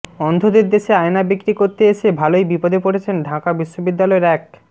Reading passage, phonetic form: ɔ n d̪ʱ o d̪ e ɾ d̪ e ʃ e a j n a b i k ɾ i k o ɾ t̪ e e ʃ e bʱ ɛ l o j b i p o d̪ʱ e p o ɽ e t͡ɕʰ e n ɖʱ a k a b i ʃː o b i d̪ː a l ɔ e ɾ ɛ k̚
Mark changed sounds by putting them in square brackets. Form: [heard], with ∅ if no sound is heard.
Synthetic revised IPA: ɔ n d̪ʱ o d̪ e ɾ d̪ e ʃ e a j n a b i k ɾ i k o ɾ t̪ e e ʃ e bʱ [a] l o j b i p o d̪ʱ e p o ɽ e t͡ɕʰ e n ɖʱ a k a b i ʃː o b i d̪ː a l ɔ e ɾ ɛ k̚